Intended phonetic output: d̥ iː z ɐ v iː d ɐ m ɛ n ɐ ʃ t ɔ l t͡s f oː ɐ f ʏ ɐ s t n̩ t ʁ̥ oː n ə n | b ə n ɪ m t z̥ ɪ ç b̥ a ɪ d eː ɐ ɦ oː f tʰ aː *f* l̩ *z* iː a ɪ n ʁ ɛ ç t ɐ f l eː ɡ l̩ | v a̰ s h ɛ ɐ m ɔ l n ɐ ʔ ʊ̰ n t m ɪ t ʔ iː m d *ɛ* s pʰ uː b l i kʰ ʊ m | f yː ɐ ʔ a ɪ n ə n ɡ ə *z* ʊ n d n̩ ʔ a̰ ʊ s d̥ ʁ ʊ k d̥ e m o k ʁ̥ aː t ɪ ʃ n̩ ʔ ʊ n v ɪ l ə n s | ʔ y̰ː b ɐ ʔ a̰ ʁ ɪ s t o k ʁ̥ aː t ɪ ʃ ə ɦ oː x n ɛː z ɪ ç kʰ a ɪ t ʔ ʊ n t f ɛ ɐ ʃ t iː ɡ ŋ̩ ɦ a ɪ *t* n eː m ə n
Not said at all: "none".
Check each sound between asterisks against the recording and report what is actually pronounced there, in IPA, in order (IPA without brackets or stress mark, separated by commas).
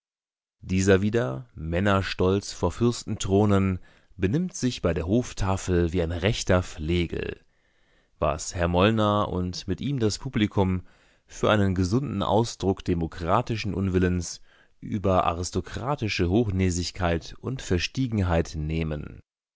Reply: f, v, a, z, t